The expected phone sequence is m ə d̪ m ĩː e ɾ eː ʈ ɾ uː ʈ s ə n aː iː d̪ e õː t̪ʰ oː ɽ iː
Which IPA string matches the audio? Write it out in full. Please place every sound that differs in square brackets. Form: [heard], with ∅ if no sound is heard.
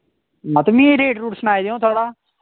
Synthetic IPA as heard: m ə [t̪] m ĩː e ɾ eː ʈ ɾ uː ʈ s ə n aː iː d̪ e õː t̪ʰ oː ɽ [aː]